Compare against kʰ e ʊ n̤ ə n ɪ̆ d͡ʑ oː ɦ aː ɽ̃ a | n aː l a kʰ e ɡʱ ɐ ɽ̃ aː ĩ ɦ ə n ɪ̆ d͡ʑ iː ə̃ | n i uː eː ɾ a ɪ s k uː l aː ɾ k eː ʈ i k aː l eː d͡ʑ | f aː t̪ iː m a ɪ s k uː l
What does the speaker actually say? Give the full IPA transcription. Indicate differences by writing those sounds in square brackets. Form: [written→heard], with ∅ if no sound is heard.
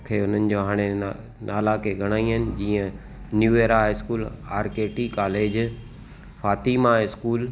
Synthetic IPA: kʰ e ʊ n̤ ə n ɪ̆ d͡ʑ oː ɦ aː ɽ̃ [a→e] | n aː l a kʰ e ɡʱ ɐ ɽ̃ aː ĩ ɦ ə n ɪ̆ d͡ʑ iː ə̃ | n [i→j] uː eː ɾ a ɪ s k uː l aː ɾ k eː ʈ i k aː l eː d͡ʑ | f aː t̪ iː m a ɪ s k uː l